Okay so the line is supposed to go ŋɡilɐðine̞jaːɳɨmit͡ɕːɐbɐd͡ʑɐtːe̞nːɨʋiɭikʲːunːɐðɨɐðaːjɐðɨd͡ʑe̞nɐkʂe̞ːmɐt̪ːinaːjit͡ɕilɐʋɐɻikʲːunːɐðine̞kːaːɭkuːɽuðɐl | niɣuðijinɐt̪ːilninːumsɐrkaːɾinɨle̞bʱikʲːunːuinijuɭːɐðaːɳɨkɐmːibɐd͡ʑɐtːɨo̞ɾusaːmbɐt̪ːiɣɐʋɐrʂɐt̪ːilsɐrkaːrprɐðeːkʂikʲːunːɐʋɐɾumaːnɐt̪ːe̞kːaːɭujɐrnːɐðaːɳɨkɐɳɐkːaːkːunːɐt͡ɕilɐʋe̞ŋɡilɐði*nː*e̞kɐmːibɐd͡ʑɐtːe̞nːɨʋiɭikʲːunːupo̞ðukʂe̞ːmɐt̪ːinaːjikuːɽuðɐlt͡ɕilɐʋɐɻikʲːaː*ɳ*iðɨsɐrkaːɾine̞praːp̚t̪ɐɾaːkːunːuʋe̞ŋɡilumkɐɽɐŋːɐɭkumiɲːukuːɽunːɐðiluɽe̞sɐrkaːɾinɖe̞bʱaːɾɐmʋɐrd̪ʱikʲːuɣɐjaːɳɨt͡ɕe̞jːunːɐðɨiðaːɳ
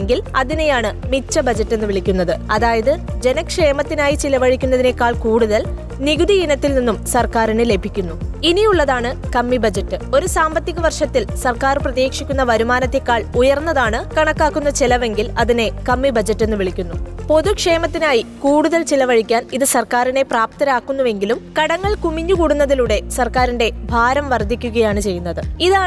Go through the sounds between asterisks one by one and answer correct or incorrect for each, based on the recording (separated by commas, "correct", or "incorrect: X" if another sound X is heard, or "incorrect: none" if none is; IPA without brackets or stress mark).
incorrect: n, incorrect: n